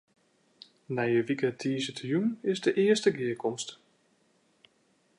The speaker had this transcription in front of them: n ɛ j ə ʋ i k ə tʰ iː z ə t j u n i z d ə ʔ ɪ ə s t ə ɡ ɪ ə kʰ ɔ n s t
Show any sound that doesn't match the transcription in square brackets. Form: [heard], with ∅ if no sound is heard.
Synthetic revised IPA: n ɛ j ə ʋ i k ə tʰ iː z ə t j u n [ɪ] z d ə ʔ ɪ ə s t ə ɡ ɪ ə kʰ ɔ [m] s t